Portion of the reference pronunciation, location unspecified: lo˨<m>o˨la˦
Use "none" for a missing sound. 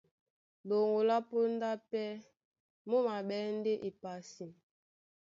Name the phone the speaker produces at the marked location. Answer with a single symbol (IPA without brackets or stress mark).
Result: ŋ